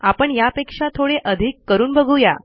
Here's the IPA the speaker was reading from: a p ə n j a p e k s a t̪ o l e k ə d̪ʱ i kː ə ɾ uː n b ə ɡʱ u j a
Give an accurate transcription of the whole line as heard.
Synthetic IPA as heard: a p ə ɳ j a p e k ʂ a t̪ʰ o ɽ e ʔ ə d̪ʱ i kː ə ɾ uː n b ə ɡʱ u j a